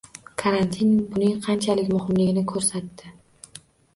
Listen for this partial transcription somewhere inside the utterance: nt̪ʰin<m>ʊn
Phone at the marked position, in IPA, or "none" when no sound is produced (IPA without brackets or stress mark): b